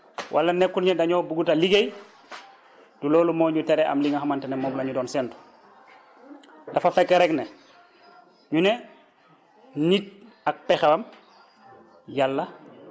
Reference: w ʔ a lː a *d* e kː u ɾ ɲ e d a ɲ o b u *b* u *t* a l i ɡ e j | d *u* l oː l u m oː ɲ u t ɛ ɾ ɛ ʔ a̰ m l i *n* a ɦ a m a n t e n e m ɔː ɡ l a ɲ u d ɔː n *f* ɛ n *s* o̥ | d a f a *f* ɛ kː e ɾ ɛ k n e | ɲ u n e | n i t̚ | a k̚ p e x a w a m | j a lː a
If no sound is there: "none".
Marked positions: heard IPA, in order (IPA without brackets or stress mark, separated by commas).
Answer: n, ɡ, t, u, ŋ, s, t, f